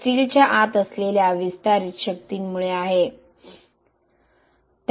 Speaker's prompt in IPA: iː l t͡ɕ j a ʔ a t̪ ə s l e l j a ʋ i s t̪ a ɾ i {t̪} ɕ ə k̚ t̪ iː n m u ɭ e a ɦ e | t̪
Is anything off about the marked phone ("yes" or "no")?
no